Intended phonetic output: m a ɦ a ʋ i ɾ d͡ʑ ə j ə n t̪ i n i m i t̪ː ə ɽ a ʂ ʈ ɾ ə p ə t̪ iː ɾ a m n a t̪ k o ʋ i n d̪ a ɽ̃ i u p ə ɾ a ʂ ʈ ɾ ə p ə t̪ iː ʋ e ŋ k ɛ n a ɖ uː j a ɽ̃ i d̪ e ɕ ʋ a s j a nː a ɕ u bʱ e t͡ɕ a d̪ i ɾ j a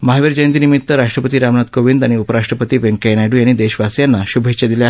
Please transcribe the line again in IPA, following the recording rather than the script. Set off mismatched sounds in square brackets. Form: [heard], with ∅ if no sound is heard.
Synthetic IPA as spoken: m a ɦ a ʋ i ɾ d͡ʑ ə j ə n t̪ i n i m i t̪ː ə [ɾ] a ʂ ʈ ɾ ə p ə t̪ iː ɾ a m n a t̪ k o ʋ i n d̪ a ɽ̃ i u p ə ɾ a ʂ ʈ ɾ ə p ə t̪ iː ʋ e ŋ k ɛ n a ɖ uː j a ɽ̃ i d̪ e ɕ ʋ a s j a nː a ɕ u bʱ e t͡ɕ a d̪ i [l] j a